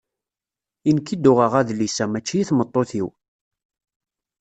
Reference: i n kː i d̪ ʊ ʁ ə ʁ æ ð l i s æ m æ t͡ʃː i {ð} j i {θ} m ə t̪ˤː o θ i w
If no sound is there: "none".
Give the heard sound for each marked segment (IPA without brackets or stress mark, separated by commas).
none, θ